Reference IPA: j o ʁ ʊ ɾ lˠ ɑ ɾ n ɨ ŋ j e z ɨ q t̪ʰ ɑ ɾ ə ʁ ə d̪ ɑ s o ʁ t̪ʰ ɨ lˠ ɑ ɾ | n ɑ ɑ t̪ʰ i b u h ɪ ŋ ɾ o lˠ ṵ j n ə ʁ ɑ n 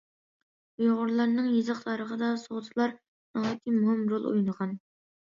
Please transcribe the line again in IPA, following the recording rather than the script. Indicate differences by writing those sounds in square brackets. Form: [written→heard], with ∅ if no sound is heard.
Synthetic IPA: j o ʁ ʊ ɾ lˠ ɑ ɾ n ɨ ŋ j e z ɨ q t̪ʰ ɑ ɾ ə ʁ ə d̪ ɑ s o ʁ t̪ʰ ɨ lˠ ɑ ɾ | n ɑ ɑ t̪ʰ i [b→m] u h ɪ [ŋ→m] ɾ o lˠ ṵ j n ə ʁ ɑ n